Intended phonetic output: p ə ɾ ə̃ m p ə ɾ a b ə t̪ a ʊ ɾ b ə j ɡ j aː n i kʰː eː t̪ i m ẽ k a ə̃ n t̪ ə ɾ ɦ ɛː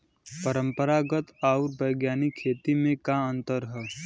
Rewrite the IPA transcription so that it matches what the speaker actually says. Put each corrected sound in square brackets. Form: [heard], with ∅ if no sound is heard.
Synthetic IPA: p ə ɾ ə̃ m p ə ɾ a [ɡ] ə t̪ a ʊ ɾ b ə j ɡ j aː n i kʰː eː t̪ i m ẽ k a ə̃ n t̪ ə ɾ ɦ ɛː